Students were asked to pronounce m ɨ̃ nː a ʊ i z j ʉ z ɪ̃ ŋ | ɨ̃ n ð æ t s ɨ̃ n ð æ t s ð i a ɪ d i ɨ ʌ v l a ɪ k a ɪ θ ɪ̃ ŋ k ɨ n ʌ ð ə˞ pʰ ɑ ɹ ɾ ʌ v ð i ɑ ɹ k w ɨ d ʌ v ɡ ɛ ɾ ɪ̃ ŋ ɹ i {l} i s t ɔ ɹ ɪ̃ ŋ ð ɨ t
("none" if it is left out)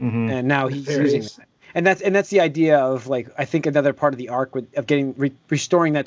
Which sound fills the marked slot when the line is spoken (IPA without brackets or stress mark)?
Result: ɹ